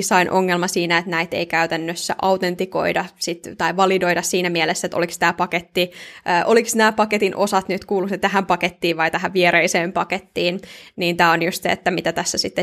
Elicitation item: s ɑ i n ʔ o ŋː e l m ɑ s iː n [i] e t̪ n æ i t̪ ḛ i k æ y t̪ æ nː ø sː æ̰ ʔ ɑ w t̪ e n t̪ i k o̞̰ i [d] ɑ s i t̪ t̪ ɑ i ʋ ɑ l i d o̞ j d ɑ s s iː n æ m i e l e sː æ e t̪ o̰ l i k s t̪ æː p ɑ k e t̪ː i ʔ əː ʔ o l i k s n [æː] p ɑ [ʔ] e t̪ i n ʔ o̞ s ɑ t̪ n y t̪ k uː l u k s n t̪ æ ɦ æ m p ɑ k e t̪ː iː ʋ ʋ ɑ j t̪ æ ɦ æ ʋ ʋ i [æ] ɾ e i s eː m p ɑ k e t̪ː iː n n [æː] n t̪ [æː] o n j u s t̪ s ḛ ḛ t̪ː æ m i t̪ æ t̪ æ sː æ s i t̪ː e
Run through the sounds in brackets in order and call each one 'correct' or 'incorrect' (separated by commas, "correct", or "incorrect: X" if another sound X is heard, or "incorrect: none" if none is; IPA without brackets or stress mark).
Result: incorrect: æ, correct, correct, incorrect: k, incorrect: e, incorrect: iː, correct